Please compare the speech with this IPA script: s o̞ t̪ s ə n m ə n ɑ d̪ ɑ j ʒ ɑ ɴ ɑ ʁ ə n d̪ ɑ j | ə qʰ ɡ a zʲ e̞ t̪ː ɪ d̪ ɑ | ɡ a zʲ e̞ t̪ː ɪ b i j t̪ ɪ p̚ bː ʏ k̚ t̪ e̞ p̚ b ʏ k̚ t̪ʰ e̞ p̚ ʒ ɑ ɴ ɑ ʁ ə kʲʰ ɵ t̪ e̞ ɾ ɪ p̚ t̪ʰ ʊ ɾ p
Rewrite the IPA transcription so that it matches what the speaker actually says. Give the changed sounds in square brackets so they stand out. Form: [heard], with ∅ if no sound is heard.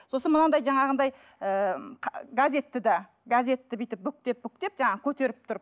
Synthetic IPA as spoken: s o̞ [∅] s ə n m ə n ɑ d̪ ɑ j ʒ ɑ ɴ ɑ ʁ ə n d̪ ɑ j | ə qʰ ɡ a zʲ e̞ t̪ː ɪ d̪ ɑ | ɡ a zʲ e̞ t̪ː ɪ b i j t̪ ɪ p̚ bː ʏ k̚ t̪ e̞ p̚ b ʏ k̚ [t̪] e̞ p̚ ʒ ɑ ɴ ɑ ʁ ə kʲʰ ɵ t̪ e̞ ɾ ɪ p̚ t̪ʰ ʊ ɾ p